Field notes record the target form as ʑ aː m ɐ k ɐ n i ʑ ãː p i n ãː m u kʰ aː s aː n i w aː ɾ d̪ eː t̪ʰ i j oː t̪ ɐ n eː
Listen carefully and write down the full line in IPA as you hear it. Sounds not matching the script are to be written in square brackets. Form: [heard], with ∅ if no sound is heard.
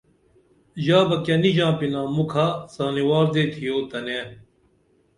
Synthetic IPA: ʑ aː [b] ɐ k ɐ n i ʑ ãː p i n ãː m u kʰ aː s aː n i w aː ɾ d̪ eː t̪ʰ i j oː t̪ ɐ n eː

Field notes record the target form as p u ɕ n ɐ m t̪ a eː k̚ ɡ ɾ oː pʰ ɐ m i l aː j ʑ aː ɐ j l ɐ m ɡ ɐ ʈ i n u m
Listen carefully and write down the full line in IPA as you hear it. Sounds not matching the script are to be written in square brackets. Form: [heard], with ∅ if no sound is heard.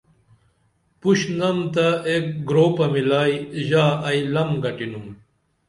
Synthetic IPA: p u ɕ n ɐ m t̪ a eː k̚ ɡ ɾ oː [p] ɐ m i l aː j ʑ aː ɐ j l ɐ m ɡ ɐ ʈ i n u m

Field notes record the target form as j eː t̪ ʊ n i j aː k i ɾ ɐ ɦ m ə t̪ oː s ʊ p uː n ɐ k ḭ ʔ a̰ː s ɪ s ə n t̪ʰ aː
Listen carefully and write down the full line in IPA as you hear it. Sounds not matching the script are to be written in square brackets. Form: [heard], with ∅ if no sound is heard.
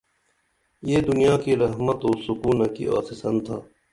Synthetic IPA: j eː [d̪] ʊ n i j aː k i ɾ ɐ ɦ m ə t̪ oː s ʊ [k] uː n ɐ k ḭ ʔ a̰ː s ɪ s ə n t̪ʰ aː

